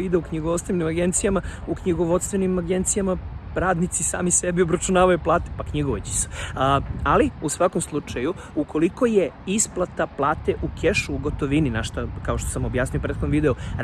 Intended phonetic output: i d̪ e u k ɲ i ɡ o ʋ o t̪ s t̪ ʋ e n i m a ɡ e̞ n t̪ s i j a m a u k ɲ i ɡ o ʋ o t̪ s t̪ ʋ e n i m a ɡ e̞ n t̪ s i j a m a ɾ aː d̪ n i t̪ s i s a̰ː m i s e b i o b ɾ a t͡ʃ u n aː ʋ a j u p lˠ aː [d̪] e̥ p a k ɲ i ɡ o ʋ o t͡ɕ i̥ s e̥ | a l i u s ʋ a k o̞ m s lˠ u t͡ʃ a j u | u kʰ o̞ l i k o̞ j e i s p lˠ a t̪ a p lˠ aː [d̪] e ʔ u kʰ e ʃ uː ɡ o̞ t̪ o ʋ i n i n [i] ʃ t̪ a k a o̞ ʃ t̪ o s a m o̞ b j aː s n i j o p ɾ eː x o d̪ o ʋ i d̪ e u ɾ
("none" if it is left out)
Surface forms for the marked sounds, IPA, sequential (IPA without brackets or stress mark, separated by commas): t̪, t̪, a